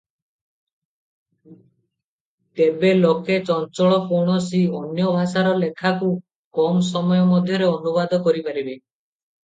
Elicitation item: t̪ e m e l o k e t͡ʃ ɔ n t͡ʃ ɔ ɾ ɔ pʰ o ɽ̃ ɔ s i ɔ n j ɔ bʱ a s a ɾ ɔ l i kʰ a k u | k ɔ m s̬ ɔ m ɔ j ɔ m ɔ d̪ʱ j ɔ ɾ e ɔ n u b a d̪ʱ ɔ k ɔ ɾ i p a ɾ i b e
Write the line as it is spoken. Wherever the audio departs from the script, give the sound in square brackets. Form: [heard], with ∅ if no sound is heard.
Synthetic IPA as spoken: t̪ e [b] e l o k e t͡ʃ ɔ n t͡ʃ ɔ [ɭ] ɔ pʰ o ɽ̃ ɔ s i ɔ n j ɔ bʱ a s a ɾ ɔ l [e] kʰ a k u | k ɔ m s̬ ɔ m ɔ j ɔ m ɔ d̪ʱ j ɔ ɾ e ɔ n u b a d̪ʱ ɔ k ɔ ɾ i p a ɾ i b e